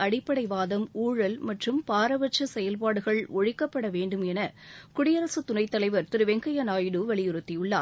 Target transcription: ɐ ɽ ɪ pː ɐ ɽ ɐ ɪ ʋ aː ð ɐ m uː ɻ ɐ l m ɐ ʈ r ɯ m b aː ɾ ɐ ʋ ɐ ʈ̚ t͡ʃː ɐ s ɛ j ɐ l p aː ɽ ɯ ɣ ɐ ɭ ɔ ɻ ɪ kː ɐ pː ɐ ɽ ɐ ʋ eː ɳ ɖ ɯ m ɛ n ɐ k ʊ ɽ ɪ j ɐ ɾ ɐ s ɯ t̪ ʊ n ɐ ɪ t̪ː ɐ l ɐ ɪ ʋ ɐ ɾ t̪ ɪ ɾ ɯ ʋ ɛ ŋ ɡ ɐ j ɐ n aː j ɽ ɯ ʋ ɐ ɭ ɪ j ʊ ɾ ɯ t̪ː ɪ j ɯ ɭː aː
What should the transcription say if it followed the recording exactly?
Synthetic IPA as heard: ɐ ɽ ɪ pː ɐ ɽ ɐ ɪ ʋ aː ð ɐ m uː ɻ ɐ l m ɐ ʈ r ɯ m p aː ɾ ɐ ʋ ɐ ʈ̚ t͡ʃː ɐ s ɛ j ɐ l p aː ɽ ɯ ɣ ɐ ɭ ɔ ɻ ɪ kː ɐ pː ɐ ɽ ɐ ʋ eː ɳ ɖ ɯ m ɛ n ɐ k ʊ ɽ ɪ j ɐ ɾ ɐ s ɯ t̪ ʊ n ɐ ɪ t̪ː ɐ l ɐ ɪ ʋ ɐ ɾ t̪ ɪ ɾ ɯ ʋ ɛ ŋ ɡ ɐ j ɐ n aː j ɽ ɯ ʋ ɐ ɭ ɪ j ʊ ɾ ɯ t̪ː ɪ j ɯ ɭː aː